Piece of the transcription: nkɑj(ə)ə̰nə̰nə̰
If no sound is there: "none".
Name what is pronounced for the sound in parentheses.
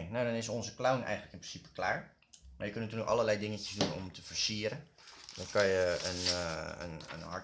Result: ə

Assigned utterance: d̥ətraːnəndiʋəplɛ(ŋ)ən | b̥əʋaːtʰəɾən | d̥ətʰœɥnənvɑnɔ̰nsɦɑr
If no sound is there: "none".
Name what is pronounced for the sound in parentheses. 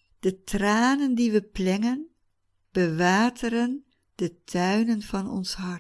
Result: ŋ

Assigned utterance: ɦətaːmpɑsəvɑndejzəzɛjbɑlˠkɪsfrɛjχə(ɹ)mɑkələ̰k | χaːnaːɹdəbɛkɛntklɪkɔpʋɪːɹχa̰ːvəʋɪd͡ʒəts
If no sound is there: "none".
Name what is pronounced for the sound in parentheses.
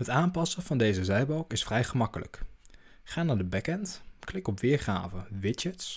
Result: none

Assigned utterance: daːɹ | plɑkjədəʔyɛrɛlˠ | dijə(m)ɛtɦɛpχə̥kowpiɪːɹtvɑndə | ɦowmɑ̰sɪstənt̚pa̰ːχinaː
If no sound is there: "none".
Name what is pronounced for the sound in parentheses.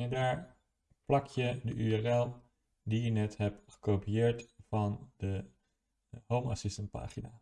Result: n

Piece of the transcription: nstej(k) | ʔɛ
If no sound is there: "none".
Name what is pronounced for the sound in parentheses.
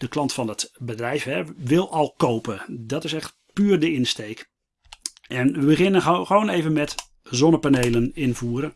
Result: k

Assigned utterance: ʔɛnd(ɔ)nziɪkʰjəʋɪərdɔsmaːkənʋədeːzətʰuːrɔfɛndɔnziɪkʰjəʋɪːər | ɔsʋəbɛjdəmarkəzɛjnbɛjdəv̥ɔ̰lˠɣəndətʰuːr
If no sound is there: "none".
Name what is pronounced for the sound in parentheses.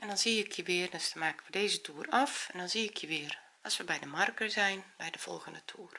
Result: ɔ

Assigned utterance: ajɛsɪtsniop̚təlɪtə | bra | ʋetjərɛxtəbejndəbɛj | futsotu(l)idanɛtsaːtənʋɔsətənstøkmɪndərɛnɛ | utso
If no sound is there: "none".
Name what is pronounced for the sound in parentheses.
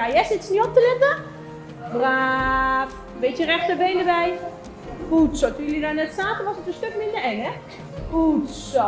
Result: l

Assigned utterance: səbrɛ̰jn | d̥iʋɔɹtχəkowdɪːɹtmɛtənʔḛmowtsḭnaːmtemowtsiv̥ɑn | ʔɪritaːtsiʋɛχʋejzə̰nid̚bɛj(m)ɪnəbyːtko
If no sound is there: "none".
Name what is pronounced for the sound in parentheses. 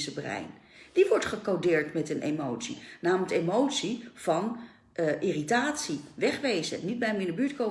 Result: m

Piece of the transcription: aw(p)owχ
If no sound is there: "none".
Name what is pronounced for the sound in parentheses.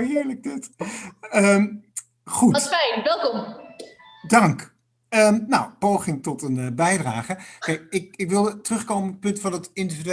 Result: p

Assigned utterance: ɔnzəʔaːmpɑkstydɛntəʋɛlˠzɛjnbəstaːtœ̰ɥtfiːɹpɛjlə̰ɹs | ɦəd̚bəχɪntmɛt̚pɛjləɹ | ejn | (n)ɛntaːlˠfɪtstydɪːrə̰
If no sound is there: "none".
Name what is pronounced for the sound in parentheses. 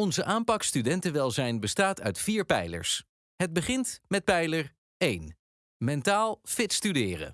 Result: m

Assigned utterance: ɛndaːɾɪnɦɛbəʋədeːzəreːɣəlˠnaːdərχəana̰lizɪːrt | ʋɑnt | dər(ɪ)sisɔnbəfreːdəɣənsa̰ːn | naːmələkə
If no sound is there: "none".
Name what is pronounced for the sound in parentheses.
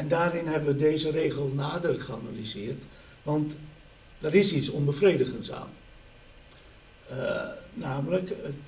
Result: ɪ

